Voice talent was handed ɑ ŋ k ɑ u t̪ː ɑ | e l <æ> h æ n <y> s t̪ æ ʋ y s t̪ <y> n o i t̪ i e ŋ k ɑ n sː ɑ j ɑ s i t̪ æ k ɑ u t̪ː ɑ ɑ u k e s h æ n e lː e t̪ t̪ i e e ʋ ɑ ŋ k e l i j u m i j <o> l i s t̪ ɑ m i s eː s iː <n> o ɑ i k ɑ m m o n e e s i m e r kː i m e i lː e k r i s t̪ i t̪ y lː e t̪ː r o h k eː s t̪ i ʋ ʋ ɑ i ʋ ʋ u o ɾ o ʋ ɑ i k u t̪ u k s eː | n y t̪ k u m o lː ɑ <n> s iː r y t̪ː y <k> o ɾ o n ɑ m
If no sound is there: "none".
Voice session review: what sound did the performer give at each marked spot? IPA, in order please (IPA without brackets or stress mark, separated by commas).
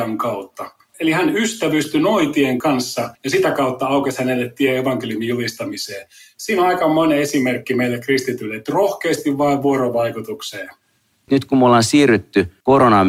i, y, y, u, n, n, k